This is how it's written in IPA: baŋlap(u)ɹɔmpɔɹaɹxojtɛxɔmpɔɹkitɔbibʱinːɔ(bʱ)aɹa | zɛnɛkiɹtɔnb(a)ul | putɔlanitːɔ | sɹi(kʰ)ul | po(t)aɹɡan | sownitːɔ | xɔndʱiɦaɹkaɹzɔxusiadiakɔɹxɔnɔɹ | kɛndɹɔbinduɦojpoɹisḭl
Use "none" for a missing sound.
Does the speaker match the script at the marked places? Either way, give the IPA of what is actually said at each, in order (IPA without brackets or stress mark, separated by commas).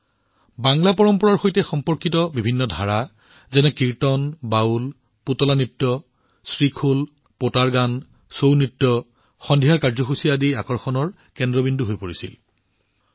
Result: ɔ, dʱ, a, kʰ, t